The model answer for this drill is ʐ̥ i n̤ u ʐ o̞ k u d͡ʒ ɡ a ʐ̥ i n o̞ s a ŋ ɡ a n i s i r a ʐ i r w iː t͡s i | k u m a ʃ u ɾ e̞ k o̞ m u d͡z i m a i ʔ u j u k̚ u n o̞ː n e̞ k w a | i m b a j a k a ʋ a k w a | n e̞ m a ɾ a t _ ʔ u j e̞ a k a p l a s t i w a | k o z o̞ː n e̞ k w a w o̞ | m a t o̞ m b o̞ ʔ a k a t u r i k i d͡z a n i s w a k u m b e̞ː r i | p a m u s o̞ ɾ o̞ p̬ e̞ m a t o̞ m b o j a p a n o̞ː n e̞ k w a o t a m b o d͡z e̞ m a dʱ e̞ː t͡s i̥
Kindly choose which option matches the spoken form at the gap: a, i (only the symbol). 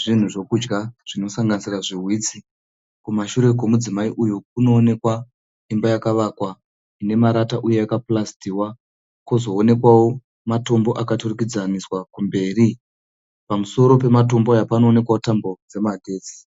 a